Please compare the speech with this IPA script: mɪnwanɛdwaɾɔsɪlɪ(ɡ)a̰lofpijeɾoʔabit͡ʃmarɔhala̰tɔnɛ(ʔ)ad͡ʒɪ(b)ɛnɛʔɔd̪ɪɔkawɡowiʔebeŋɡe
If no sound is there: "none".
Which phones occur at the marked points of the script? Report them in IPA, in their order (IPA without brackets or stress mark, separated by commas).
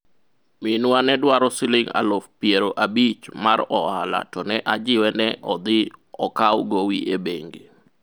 ŋ, ʔ, w